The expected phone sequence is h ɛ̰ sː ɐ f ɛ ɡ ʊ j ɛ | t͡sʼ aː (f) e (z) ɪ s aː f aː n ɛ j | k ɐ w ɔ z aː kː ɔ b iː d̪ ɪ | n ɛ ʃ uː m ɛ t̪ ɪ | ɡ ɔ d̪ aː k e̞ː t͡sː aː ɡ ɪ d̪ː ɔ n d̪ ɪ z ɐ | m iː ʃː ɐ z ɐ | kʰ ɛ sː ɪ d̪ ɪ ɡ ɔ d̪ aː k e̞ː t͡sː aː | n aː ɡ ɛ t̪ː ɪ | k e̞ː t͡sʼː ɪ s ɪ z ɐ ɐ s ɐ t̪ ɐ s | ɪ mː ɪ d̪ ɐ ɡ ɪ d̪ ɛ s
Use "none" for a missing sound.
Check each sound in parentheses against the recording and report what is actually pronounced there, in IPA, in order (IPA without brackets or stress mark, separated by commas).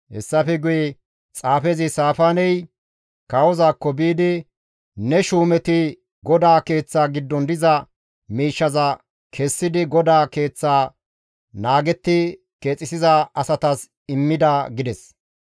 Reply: f, z